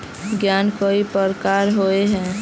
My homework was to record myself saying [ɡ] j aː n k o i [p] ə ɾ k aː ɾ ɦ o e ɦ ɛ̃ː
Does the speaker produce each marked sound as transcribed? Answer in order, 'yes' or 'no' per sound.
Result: yes, yes

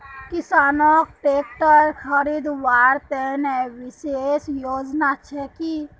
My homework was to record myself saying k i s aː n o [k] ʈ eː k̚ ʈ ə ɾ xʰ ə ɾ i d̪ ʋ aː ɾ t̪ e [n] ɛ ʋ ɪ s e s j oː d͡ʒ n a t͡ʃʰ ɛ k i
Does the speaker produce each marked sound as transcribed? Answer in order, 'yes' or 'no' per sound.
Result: yes, yes

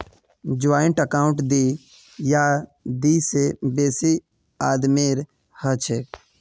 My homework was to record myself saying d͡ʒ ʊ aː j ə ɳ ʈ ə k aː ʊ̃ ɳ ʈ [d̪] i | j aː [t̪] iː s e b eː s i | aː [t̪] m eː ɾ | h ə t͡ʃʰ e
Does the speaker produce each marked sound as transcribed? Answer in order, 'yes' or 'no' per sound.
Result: yes, no, no

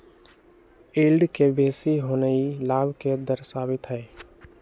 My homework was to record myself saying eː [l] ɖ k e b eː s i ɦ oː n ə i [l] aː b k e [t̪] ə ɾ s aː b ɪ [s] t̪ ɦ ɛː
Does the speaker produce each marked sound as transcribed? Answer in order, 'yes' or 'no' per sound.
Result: yes, yes, no, no

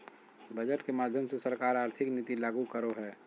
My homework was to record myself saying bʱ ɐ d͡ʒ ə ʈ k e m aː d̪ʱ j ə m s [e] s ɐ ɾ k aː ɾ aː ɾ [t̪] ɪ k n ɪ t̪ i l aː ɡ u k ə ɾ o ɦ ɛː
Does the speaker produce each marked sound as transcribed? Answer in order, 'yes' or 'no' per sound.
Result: yes, no

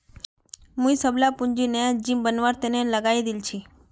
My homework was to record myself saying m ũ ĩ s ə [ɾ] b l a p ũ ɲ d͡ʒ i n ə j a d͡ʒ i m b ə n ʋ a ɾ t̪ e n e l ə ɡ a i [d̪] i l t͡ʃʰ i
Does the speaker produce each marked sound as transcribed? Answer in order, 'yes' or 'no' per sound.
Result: no, yes

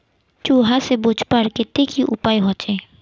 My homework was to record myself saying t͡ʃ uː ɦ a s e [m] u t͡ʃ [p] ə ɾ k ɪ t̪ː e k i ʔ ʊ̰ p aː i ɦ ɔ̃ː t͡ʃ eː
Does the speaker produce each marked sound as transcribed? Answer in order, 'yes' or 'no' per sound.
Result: no, yes

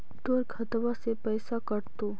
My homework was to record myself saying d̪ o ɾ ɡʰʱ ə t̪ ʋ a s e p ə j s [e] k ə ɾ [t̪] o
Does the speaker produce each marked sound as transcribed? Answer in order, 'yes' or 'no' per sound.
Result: no, yes

